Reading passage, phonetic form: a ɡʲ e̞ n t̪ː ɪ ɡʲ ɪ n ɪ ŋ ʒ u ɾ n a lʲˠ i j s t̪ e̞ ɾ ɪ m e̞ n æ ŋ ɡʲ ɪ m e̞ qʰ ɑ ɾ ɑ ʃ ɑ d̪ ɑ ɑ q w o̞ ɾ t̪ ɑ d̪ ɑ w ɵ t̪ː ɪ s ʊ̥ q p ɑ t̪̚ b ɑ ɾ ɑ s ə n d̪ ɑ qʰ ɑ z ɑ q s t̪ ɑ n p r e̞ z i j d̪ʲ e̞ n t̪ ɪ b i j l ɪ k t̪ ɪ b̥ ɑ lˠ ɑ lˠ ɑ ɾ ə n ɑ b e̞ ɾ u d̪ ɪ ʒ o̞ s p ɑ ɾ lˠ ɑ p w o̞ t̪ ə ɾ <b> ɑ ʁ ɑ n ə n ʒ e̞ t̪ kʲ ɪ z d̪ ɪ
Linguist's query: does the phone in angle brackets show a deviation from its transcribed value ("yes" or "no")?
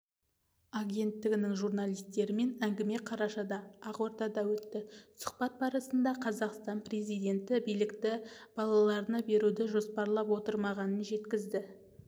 yes